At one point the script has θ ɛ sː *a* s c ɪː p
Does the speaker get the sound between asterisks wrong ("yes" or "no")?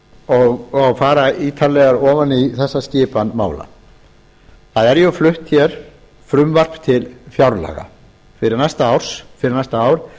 no